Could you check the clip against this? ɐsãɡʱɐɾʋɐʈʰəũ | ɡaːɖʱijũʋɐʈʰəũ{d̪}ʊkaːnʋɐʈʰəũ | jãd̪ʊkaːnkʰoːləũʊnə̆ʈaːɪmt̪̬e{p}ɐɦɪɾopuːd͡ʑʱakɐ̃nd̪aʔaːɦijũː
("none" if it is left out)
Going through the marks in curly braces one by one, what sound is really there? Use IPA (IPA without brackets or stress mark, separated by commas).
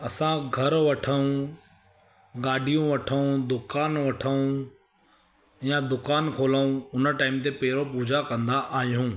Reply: d̪, p